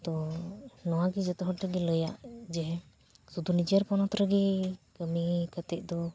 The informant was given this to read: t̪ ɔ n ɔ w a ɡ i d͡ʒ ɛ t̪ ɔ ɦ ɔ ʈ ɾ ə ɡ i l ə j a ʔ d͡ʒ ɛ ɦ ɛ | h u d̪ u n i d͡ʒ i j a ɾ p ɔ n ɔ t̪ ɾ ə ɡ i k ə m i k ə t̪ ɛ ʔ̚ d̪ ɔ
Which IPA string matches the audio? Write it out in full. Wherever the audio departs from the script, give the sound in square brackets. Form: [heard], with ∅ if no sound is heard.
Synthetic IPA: t̪ ɔ n ɔ w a ɡ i d͡ʒ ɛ t̪ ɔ ɦ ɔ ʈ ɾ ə ɡ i l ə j a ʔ d͡ʒ ɛ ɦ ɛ | [s] u d̪ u n i d͡ʒ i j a ɾ p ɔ n ɔ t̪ ɾ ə ɡ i k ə m i k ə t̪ ɛ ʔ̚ d̪ ɔ